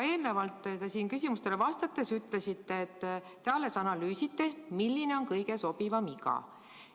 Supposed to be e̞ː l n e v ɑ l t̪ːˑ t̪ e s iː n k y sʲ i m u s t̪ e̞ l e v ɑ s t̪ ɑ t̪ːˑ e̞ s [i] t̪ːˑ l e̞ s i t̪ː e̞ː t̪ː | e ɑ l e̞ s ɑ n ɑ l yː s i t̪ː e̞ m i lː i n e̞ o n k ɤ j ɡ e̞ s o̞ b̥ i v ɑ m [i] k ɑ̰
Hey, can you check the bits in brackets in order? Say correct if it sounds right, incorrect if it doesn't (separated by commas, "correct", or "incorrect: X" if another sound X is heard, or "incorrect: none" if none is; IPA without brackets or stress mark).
incorrect: y, correct